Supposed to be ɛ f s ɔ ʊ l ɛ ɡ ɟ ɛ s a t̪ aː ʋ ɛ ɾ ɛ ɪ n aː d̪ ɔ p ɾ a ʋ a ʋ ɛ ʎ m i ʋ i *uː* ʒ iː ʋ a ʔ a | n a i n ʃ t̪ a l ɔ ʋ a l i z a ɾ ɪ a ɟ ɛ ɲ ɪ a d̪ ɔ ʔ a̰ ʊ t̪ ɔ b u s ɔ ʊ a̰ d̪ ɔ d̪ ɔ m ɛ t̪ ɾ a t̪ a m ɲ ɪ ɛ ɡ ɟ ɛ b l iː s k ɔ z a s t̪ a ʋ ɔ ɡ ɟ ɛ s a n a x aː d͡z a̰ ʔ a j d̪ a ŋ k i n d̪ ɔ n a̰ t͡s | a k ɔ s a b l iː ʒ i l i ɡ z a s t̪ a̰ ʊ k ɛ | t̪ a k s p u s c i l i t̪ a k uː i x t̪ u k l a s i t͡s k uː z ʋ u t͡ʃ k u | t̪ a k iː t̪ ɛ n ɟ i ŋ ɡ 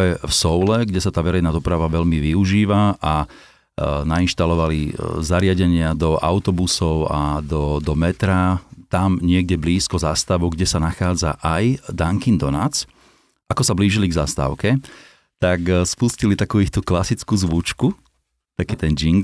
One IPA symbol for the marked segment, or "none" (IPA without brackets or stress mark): u